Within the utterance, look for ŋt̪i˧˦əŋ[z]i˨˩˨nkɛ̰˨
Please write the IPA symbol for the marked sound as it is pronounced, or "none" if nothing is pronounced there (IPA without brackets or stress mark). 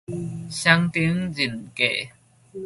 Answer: z